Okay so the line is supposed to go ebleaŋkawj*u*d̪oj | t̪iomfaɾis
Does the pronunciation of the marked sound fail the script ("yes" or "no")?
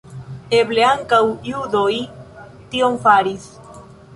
no